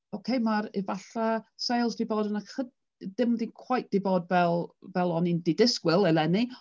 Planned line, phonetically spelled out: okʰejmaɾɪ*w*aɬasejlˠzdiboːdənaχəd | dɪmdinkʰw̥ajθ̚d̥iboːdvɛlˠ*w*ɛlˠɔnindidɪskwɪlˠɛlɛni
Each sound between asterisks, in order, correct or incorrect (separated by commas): incorrect, incorrect